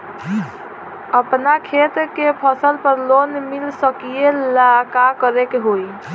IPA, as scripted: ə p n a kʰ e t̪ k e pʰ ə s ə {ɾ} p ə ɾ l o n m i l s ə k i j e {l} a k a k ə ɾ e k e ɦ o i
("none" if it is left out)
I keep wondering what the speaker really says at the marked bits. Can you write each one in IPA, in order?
l, l

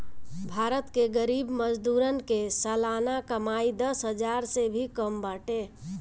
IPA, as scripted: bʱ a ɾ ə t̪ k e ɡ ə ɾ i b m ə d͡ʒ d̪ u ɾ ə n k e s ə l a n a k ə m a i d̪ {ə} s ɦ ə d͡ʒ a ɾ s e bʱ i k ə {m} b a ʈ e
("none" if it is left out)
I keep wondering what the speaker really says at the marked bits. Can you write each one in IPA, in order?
ə, m

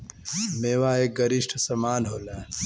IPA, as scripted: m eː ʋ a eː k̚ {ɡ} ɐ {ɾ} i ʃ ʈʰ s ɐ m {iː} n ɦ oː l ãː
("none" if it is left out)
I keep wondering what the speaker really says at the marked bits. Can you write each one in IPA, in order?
ɡ, ɾ, aː

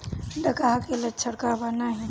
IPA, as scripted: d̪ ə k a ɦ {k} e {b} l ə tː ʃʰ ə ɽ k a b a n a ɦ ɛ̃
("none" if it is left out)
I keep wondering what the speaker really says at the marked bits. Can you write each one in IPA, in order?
k, none

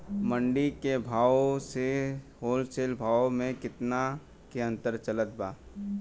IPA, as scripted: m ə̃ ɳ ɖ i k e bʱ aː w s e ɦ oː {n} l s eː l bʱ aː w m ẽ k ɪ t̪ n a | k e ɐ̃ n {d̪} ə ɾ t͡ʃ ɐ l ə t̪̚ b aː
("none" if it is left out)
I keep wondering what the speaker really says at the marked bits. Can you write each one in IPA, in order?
none, t̪

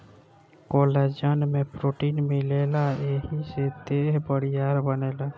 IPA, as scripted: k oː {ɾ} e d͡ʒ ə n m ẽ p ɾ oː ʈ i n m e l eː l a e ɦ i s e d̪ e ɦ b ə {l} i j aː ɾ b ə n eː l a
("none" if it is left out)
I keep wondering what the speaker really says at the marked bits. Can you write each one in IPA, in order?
l, ɽ

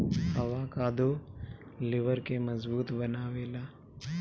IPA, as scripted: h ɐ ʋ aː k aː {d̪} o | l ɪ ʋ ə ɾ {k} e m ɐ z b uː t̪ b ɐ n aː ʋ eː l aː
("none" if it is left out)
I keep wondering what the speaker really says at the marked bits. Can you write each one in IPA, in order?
d̪, k

